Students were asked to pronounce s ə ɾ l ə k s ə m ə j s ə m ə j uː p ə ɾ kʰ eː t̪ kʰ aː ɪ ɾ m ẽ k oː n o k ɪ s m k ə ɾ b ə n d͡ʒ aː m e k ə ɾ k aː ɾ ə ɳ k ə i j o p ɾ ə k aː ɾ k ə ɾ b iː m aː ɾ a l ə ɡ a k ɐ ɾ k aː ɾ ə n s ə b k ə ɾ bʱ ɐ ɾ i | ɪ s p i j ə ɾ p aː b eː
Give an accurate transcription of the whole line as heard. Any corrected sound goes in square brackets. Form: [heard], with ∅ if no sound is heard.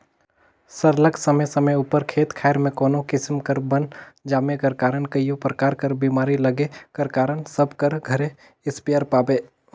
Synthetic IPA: s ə ɾ l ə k s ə m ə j s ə m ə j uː p ə ɾ kʰ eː t̪ kʰ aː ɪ ɾ m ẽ k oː n o k ɪ s m k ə ɾ b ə n d͡ʒ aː m e k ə ɾ k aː ɾ ə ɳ k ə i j o p ɾ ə k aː ɾ k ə ɾ b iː m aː ɾ [i] l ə ɡ [e] k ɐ ɾ k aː ɾ ə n s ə b k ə ɾ [ɡʱ] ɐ ɾ [e] | ɪ s p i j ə ɾ p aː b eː